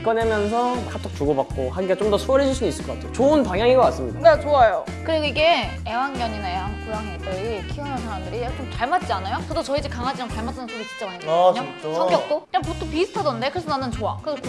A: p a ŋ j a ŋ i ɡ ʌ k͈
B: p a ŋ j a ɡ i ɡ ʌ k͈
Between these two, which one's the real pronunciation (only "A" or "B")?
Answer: A